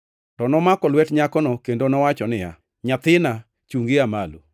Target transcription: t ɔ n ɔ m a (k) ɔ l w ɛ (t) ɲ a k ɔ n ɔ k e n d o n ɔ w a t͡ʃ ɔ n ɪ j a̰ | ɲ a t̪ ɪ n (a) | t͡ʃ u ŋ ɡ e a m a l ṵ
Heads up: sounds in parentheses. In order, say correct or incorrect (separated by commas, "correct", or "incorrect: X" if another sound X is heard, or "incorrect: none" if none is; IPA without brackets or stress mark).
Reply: correct, correct, correct